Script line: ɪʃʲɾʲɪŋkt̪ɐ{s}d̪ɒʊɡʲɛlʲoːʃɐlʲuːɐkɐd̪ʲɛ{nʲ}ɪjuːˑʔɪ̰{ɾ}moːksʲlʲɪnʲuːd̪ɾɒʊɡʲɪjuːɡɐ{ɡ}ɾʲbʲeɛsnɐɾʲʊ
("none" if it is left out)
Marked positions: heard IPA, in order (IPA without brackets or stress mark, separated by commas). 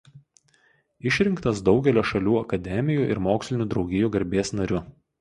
s, mʲ, ɾ, none